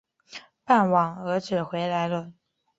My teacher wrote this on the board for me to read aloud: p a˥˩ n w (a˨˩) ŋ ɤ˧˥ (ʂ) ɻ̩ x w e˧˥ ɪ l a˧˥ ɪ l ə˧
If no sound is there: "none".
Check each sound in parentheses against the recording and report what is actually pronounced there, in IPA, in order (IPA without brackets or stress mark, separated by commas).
ɑ˨˩, ʈ͡ʂ